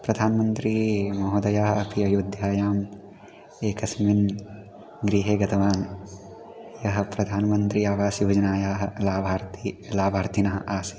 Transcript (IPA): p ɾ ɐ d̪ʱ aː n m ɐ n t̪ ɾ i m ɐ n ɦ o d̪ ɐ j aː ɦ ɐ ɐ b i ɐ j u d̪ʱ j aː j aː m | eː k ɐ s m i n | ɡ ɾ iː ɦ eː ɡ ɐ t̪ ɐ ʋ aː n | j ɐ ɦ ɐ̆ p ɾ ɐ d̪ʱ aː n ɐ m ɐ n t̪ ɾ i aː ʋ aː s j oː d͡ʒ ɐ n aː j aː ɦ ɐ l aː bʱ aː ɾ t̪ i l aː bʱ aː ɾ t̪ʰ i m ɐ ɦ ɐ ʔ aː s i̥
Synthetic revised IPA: p ɾ ɐ d̪ʱ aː n m ɐ n t̪ ɾ i m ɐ ɦ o d̪ ɐ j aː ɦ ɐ ɐ p i ɐ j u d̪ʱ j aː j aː m | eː k ɐ s m i n | ɡ ɾ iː ɦ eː ɡ ɐ t̪ ɐ ʋ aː n | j ɐ ɦ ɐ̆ p ɾ ɐ d̪ʱ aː n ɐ m ɐ n t̪ ɾ i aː ʋ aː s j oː d͡ʒ ɐ n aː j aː ɦ ɐ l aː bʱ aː ɾ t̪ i l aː bʱ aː ɾ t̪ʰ i n ɐ ɦ ɐ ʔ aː s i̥